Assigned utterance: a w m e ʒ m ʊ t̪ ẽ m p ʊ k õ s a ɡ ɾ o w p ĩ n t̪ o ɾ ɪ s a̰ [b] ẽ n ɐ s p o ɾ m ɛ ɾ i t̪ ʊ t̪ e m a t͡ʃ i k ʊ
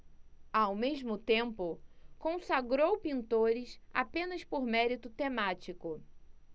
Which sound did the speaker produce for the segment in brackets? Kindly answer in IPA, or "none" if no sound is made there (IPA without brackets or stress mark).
p